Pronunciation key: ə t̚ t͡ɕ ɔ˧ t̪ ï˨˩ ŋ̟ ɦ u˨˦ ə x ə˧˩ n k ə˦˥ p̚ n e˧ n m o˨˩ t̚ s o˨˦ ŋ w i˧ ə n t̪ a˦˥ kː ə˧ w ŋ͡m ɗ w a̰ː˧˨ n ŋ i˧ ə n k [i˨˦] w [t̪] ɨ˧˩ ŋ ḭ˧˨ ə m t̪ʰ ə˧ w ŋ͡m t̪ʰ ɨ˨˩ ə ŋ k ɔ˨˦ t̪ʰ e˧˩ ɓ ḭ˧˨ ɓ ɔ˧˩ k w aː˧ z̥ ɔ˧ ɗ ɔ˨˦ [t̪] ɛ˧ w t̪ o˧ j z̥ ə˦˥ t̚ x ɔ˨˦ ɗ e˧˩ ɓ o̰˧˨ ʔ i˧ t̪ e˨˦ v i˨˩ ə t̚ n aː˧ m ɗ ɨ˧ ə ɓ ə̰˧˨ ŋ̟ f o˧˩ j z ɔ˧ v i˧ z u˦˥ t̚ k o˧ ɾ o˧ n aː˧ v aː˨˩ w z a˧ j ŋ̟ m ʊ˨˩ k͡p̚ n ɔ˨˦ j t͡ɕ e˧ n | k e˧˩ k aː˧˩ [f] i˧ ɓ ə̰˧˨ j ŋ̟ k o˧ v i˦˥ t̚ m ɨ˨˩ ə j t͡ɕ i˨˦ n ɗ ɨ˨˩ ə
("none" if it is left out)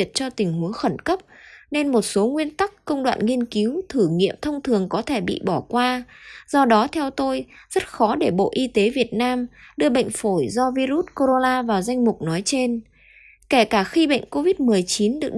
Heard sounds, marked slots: i˨˦, t̪ʰ, t̪ʰ, x

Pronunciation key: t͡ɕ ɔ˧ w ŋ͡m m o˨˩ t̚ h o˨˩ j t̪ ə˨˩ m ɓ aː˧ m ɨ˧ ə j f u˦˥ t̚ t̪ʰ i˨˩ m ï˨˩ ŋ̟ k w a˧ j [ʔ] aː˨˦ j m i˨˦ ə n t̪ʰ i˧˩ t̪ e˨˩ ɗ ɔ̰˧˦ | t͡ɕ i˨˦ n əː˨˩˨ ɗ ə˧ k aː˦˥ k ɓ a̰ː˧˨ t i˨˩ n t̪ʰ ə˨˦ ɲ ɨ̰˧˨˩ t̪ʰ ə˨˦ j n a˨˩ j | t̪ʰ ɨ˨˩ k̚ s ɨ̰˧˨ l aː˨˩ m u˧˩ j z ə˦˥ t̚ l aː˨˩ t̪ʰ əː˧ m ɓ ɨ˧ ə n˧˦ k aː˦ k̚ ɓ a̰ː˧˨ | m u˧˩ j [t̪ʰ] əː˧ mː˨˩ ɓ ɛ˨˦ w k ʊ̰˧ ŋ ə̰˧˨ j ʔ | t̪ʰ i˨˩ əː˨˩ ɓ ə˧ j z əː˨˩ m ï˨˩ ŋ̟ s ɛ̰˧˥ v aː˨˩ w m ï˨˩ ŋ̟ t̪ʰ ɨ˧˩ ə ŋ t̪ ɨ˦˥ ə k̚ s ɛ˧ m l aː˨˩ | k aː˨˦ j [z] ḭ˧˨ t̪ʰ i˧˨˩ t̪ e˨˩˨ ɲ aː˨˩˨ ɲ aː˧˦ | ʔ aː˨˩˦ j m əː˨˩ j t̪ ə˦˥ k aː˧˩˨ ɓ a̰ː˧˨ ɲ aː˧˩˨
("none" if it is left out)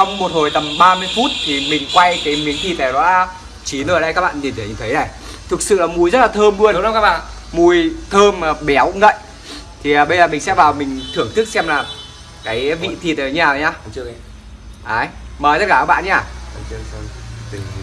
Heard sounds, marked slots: k, t̪ʰ, v

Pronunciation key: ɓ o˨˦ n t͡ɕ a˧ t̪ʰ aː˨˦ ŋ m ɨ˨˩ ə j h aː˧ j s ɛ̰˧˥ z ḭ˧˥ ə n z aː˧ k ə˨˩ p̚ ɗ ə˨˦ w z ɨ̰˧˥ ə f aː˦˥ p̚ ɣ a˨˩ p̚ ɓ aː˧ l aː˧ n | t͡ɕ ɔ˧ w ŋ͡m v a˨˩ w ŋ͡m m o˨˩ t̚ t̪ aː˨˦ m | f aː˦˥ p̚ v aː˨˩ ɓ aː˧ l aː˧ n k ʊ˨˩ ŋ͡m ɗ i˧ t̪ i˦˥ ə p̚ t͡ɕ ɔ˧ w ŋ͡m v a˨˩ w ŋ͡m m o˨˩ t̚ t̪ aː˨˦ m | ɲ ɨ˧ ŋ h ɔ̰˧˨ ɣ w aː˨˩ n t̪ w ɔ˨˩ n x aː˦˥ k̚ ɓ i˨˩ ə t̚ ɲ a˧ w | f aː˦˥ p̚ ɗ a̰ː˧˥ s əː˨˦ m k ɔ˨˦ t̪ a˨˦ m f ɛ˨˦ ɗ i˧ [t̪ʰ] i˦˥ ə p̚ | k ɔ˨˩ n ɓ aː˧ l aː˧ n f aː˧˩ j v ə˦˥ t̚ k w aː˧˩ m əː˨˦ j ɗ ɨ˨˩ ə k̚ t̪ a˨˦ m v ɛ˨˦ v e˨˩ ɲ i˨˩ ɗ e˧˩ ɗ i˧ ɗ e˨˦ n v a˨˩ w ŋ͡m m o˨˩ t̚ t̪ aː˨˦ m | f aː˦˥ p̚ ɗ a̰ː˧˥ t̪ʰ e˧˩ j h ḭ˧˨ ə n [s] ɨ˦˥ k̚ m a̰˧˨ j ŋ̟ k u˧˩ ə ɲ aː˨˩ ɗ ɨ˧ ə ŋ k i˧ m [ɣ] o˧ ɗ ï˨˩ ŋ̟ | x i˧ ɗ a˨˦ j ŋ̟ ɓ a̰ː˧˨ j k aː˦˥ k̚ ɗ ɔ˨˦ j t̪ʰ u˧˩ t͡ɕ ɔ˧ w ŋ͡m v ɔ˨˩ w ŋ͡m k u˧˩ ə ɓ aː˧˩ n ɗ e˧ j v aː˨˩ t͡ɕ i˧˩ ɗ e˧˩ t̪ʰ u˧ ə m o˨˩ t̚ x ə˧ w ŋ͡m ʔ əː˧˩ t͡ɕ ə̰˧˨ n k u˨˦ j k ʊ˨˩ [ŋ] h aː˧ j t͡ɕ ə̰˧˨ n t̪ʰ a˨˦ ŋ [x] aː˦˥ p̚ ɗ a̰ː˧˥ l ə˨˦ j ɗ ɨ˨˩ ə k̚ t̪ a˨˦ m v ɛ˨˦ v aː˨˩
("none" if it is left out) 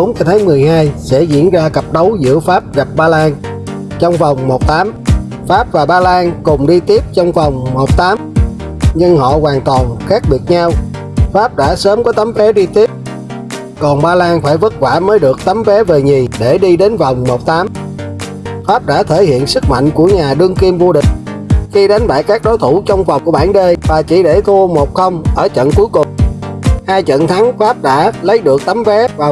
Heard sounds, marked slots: t̪, s, v, ŋ͡m, f

